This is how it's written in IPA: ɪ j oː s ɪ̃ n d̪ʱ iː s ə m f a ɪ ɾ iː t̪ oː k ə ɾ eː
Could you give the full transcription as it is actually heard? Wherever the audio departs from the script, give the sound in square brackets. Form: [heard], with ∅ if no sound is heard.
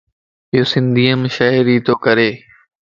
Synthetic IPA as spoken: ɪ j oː s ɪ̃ n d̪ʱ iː [∅] ə m [ʃ] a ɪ ɾ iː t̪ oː k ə ɾ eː